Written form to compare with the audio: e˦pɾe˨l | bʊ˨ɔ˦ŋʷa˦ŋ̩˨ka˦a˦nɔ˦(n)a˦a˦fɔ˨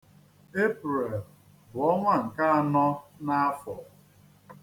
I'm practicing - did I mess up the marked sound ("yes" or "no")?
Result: no